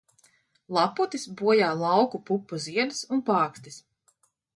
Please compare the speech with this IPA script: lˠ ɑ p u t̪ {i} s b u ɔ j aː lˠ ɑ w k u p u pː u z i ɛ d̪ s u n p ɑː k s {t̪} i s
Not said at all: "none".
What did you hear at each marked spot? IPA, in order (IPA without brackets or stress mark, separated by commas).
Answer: i, t̪